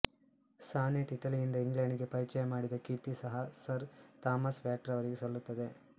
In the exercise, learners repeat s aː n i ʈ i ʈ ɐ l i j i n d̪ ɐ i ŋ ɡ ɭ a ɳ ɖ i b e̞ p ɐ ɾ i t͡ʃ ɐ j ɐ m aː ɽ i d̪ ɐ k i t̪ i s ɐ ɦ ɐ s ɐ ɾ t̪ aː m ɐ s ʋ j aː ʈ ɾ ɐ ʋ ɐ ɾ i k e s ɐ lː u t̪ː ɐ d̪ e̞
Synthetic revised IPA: s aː n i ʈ i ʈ ɐ l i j i n d̪ ɐ i ŋ ɡ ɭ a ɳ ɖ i ɡ e̞ p ɐ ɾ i t͡ʃ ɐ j ɐ m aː ɽ i d̪ ɐ k i t̪ i s ɐ ɦ ɐ s ɐ ɾ t̪ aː m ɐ s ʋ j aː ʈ ɾ ɐ ʋ ɐ ɾ i ɡ e s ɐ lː u t̪ː ɐ d̪ e̞